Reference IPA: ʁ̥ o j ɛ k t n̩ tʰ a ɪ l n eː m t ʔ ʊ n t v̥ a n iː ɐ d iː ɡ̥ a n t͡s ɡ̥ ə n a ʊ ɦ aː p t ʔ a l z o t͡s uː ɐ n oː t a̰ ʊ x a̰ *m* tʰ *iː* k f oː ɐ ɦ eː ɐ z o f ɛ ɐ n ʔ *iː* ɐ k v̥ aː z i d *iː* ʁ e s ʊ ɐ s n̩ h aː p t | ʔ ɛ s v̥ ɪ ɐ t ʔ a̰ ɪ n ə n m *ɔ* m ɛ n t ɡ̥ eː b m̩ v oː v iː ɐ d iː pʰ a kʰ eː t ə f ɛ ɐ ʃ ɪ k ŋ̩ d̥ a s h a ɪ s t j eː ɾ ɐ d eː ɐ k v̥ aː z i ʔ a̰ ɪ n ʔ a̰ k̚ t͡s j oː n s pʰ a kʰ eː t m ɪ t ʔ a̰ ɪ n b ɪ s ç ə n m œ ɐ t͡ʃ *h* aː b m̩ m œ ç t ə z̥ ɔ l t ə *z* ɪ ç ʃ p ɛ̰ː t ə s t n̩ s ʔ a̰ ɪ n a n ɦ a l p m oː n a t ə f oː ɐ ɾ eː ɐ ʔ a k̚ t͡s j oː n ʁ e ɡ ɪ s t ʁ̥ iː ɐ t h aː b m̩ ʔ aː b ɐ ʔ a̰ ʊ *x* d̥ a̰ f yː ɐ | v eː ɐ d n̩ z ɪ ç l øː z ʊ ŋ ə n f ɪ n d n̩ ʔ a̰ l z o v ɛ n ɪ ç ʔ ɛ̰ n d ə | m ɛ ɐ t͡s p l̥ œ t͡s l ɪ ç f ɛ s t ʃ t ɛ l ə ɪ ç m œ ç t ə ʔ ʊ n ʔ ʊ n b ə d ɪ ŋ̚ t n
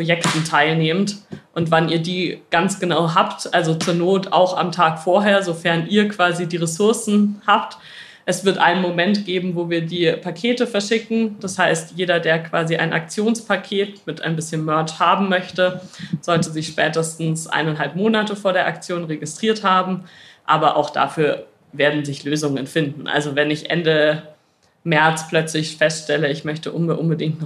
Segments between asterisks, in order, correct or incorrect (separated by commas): correct, incorrect, correct, correct, incorrect, correct, correct, correct